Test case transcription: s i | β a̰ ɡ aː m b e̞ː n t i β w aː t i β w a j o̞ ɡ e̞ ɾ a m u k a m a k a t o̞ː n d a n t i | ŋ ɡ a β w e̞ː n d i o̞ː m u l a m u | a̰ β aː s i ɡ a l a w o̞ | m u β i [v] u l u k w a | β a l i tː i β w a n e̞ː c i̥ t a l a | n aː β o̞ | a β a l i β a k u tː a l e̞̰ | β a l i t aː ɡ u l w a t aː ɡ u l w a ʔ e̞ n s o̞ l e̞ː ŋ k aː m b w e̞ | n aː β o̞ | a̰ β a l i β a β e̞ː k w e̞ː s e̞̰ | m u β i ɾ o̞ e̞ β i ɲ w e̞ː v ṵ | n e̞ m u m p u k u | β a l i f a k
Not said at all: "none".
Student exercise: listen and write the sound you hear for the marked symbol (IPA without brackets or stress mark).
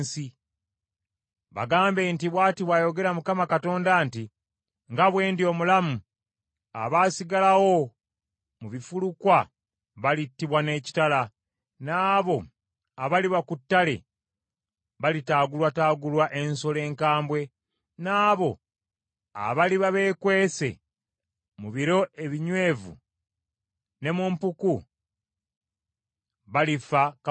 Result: f